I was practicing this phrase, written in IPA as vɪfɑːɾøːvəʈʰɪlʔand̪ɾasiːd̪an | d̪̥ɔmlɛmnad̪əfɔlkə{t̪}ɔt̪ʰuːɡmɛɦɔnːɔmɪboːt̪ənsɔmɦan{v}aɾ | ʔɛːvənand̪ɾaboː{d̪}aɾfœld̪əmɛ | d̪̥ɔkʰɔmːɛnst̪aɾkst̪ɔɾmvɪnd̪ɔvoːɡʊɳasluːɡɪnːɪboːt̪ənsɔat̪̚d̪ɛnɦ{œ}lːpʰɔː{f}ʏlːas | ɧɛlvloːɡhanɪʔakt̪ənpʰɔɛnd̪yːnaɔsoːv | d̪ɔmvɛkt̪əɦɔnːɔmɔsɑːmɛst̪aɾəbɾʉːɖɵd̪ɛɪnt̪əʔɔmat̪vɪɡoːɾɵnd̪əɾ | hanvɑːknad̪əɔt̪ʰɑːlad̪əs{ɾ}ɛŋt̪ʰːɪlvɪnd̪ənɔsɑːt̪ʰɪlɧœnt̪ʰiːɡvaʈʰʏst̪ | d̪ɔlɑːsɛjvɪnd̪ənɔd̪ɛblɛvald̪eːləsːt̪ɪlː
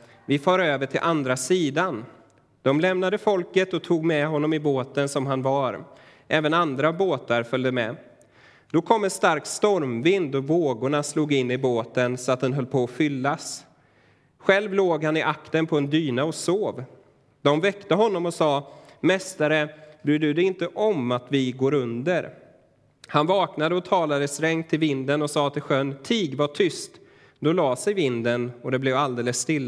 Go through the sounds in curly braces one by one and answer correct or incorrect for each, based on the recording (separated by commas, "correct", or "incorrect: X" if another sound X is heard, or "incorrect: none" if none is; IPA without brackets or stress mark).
correct, correct, incorrect: t̪, correct, correct, correct